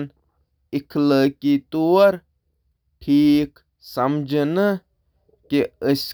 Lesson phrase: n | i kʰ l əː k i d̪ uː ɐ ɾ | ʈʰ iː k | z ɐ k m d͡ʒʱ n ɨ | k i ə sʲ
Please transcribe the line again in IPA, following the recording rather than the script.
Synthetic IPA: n | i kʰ l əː k i t̪ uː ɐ ɾ | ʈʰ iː k | s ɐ m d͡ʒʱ n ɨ | k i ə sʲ